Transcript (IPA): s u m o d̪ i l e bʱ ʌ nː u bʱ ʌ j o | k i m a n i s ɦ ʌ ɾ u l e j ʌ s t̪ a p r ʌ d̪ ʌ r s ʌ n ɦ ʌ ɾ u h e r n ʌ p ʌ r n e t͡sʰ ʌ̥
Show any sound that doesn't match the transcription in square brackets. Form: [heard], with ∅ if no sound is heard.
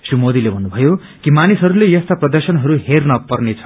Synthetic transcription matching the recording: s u m o d̪ i l e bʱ ʌ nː u bʱ ʌ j o | k i m a n i s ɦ ʌ ɾ u l e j ʌ s t̪ a p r ʌ d̪ ʌ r s ʌ n ɦ ʌ ɾ u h e r n ʌ p ʌ r n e t͡sʰ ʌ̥